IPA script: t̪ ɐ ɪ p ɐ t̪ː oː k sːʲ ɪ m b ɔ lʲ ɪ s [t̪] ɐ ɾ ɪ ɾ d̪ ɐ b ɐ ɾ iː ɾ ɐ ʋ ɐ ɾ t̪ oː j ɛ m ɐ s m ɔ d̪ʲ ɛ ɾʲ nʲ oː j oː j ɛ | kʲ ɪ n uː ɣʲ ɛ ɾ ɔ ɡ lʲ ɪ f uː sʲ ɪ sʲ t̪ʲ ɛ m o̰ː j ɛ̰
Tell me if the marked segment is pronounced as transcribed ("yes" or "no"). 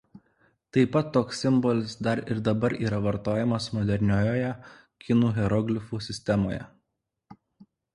no